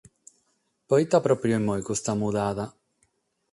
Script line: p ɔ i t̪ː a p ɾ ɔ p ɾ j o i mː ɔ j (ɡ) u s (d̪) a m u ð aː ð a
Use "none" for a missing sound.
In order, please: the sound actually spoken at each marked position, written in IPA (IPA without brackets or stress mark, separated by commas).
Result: k, t̪